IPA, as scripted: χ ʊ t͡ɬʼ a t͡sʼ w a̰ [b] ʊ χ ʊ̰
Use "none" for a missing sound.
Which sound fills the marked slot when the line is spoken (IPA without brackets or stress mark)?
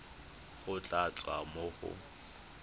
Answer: m